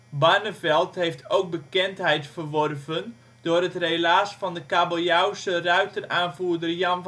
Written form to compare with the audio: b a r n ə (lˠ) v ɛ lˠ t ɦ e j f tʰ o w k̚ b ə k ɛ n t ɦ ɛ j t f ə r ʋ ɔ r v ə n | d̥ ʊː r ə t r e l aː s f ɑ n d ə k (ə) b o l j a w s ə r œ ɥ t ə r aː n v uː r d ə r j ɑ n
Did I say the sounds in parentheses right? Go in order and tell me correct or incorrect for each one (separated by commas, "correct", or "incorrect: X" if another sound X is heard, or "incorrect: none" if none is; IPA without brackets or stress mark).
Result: incorrect: none, incorrect: a